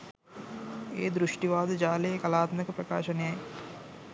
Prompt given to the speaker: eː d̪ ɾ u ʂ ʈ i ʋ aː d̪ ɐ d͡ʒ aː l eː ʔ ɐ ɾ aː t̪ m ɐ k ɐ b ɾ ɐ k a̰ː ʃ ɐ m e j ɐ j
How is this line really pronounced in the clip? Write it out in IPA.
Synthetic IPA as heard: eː d̪ ɾ u ʂ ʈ i ʋ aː d̪ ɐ d͡ʒ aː l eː k ɐ l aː t̪ m ɐ k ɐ p ɾ ɐ k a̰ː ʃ ɐ n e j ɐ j